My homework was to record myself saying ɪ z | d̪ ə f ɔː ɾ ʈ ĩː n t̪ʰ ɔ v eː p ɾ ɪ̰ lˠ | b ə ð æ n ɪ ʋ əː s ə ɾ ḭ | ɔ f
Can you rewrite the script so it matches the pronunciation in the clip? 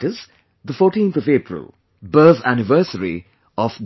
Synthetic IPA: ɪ z | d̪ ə f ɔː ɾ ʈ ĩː n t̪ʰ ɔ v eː p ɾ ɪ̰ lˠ | b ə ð æ n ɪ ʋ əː s ə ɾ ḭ | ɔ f